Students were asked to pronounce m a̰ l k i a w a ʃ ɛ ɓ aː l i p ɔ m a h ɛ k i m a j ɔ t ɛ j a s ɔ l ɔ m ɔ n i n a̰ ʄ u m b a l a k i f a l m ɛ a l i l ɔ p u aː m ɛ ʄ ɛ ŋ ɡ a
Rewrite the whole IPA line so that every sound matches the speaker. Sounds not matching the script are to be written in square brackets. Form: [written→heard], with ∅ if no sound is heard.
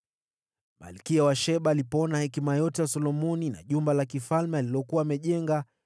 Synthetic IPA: m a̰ l k i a w a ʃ ɛ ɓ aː l i p ɔ [m→n] a h ɛ k i m a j ɔ t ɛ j a s ɔ l ɔ m ɔ n i n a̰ ʄ u m b a l a k i f a l m ɛ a l i l ɔ [p→k] u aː m ɛ ʄ ɛ ŋ ɡ a